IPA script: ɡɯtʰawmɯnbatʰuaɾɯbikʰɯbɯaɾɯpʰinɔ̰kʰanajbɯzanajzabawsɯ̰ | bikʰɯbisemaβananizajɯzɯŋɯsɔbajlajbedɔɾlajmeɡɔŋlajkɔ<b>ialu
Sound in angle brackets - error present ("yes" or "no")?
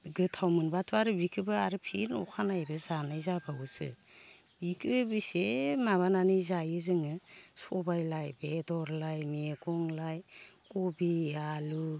no